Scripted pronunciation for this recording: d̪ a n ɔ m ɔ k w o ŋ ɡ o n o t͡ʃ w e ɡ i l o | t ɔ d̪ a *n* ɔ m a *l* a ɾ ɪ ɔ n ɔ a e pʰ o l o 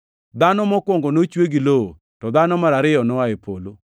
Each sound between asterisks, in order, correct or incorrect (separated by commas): correct, incorrect